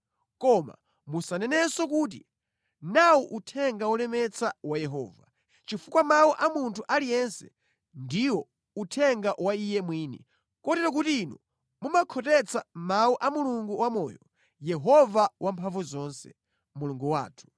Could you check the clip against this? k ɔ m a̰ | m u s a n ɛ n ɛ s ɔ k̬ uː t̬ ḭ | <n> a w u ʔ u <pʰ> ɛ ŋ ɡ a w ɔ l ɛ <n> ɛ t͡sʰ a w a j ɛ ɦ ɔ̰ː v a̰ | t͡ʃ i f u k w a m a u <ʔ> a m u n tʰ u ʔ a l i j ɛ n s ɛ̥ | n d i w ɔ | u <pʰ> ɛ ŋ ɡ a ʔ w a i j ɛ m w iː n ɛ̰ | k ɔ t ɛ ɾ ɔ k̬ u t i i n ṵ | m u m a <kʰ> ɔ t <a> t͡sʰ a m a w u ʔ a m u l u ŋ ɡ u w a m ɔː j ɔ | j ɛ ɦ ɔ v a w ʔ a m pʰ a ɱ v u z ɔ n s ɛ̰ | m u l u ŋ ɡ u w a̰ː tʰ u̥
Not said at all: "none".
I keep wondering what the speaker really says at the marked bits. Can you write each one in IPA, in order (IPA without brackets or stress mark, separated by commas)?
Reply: n, tʰ, m, ʔ, tʰ, kʰ, ɛ